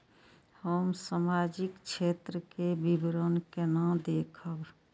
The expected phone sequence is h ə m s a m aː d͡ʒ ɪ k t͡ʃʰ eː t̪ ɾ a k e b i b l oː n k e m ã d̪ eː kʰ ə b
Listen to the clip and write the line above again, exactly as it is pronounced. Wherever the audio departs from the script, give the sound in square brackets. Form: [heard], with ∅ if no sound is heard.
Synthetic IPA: h ə m s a m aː d͡ʒ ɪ k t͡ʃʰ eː t̪ ɾ [ə] k e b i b [ɾ] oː n k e [n] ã d̪ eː kʰ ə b

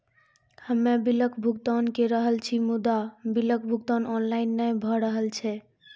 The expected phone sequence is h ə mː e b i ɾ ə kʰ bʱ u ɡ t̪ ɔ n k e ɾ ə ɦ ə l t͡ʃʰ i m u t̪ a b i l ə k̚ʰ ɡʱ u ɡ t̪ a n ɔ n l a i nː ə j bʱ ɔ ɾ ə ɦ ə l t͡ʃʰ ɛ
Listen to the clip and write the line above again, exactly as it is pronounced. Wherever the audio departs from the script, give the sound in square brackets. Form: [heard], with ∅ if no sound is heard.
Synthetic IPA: h ə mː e b i [l] ə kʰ bʱ u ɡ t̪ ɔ n k e ɾ ə ɦ ə l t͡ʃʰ i m u [d̪] a b i l ə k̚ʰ [bʱ] u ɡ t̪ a n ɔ n l a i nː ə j bʱ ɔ ɾ ə ɦ ə l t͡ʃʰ ɛ

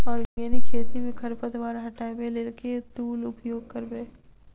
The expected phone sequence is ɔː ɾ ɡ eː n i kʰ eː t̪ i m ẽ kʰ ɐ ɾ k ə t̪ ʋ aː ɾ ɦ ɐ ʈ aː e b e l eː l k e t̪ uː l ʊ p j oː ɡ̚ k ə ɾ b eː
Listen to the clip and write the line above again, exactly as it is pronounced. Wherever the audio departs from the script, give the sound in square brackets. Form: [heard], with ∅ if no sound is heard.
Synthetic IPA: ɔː ɾ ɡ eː n i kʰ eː t̪ i m ẽ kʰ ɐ ɾ [p] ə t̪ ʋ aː ɾ ɦ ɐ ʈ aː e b e l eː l k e t̪ uː l ʊ p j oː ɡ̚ k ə ɾ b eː

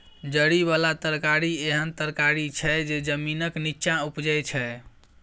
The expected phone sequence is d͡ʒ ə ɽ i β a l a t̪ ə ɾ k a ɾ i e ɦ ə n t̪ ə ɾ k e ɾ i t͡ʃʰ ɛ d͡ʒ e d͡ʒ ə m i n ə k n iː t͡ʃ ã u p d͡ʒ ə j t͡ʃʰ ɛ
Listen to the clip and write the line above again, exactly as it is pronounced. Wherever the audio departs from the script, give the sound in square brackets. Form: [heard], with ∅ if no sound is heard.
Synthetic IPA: d͡ʒ ə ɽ i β a l a t̪ ə ɾ k a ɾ i e ɦ ə n t̪ ə ɾ k [a] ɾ i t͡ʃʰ ɛ d͡ʒ e d͡ʒ ə m i n ə k n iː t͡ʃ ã u p d͡ʒ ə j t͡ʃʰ ɛ

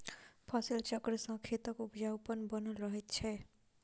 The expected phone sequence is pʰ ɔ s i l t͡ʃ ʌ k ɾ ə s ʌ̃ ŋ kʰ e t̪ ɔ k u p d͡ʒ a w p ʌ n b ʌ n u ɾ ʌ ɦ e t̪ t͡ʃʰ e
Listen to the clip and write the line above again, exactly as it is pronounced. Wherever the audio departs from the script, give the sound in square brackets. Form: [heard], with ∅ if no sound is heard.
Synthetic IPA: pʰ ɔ s i l t͡ʃ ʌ k ɾ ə s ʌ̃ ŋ kʰ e t̪ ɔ k u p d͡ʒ a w p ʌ n b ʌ n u ɾ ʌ ɦ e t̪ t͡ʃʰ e

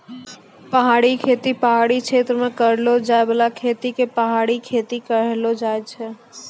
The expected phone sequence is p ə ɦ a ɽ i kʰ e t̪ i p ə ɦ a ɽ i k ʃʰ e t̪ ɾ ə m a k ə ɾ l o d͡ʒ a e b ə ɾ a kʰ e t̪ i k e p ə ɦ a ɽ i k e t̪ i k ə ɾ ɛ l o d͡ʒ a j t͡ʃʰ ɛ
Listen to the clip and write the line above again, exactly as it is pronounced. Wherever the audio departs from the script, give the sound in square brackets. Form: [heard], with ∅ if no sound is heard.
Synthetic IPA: p ə ɦ a ɽ i kʰ e t̪ i p ə ɦ a ɽ i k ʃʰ e t̪ ɾ ə m [e] k ə ɾ l o d͡ʒ a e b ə [l] a kʰ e t̪ i k e p ə ɦ a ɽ i [kʰ] e t̪ i k ə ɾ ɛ l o d͡ʒ a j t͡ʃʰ ɛ

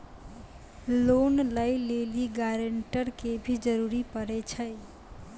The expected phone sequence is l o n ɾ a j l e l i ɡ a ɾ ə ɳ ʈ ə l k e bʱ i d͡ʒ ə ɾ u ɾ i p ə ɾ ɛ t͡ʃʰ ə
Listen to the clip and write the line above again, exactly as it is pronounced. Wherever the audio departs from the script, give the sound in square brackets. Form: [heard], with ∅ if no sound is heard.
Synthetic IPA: l o n [l] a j l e l i ɡ a ɾ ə ɳ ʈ ə [ɾ] k e bʱ i d͡ʒ ə ɾ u ɾ i p ə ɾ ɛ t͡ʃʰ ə

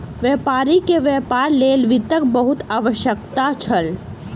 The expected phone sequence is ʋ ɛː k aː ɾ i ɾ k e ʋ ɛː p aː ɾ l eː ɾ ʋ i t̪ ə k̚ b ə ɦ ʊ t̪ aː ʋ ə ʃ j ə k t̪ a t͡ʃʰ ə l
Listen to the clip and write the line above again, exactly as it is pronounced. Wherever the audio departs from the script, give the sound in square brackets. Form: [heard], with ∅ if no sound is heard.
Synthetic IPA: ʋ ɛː [p] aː ɾ i [∅] k e ʋ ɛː p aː ɾ l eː [l] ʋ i t̪ ə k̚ b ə ɦ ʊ t̪ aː ʋ ə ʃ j ə k t̪ a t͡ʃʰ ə l

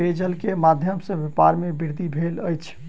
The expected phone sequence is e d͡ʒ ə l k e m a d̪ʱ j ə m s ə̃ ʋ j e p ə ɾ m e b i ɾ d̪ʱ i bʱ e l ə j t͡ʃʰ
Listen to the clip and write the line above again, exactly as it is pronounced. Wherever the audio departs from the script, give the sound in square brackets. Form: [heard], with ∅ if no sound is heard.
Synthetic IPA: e d͡ʒ ə l k e m a d̪ʱ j ə m s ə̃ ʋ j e p [a] ɾ m e b i ɾ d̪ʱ i bʱ e l ə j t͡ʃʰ

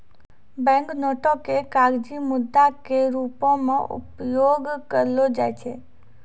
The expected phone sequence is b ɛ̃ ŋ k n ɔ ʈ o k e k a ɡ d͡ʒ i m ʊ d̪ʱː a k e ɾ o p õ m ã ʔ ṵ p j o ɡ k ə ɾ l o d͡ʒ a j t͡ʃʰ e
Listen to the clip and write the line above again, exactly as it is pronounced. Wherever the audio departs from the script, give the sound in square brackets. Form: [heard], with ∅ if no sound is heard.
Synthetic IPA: b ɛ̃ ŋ k n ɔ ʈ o k e k a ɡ d͡ʒ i m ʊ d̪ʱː a k e ɾ [u] p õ m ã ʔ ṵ p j o ɡ k ə ɾ l o d͡ʒ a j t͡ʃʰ e

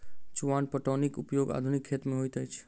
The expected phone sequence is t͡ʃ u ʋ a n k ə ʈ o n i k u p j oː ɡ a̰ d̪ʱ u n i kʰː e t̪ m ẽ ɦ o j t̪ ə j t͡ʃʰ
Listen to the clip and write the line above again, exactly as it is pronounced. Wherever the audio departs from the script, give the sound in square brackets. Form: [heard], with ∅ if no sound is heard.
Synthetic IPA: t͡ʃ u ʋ a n [p] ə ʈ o n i k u p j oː ɡ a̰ d̪ʱ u n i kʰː e t̪ m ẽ ɦ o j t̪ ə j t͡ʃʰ

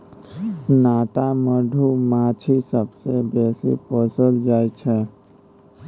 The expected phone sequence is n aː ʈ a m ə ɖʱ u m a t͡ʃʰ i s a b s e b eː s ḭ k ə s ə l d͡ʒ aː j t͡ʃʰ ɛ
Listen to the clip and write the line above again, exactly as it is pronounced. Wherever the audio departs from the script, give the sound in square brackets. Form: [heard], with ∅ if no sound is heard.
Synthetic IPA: n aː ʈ a m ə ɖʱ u m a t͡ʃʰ i s [ə] b s e b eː s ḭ [p] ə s ə l d͡ʒ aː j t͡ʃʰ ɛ

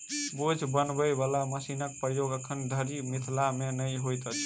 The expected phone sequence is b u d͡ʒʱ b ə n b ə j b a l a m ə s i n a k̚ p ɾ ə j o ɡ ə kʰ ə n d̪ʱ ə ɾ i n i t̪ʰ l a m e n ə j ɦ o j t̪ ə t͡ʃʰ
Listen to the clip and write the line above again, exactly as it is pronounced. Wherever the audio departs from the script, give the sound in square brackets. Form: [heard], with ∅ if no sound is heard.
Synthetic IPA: b [o] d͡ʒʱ b ə n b ə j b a l a m ə s i n [ə] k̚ p ɾ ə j o ɡ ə kʰ ə n d̪ʱ ə ɾ i [m] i t̪ʰ l a m e n ə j ɦ o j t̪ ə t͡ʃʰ

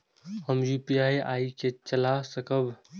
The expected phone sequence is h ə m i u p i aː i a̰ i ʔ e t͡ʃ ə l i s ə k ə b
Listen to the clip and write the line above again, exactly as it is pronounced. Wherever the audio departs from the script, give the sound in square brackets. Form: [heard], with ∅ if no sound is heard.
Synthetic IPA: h ə m [j] u p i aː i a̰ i [k] e t͡ʃ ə l [a] s ə k ə b

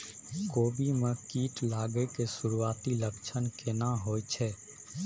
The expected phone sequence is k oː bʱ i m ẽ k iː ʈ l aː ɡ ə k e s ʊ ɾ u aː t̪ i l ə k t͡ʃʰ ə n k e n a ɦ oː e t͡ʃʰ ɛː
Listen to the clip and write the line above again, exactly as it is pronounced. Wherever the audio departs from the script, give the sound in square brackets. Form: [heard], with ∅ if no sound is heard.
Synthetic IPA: k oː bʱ i m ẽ k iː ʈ l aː ɡ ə k e s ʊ ɾ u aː t̪ i l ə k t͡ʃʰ ə n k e n a ɦ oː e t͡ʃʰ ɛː

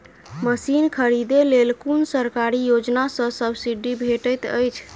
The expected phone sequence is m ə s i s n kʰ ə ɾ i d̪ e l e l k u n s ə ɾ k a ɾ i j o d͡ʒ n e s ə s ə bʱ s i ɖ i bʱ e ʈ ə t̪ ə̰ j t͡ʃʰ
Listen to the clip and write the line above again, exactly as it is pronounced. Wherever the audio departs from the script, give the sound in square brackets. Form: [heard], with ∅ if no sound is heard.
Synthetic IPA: m ə s i [∅] n kʰ ə ɾ i d̪ e l e l k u n s ə ɾ k a ɾ i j o d͡ʒ n [a] s ə s ə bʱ s i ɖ i bʱ e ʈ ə t̪ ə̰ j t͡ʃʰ

